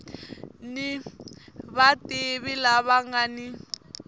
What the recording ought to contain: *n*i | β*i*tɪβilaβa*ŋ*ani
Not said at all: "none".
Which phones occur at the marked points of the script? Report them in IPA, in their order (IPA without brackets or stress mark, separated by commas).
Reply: n, a, ŋ